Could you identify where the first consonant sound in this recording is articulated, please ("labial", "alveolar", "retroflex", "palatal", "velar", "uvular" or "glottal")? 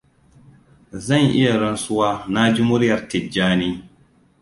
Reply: alveolar